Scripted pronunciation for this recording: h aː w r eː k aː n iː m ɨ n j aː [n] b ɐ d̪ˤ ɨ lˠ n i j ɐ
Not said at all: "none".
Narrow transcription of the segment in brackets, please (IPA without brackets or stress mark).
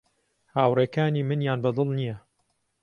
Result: n